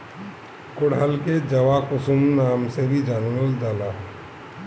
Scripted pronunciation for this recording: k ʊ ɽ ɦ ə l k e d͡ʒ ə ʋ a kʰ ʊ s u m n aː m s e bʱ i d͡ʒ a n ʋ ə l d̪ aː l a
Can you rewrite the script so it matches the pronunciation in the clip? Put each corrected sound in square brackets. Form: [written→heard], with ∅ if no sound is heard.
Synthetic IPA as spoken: k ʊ ɽ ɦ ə l k e d͡ʒ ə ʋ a [kʰ→k] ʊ s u m n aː m s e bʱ i d͡ʒ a n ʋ ə l d̪ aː l a